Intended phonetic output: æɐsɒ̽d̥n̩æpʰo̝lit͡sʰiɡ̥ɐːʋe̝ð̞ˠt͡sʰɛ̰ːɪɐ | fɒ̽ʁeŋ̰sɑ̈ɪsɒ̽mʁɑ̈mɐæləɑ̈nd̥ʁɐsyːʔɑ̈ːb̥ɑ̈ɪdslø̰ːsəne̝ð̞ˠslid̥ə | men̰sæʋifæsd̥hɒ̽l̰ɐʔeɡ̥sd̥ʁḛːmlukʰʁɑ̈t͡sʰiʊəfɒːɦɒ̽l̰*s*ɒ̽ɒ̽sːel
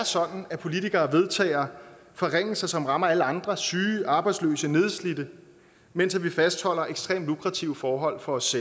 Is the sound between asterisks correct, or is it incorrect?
incorrect